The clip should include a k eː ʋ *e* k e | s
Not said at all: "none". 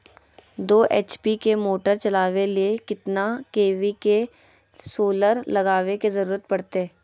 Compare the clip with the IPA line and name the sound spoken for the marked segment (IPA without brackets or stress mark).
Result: i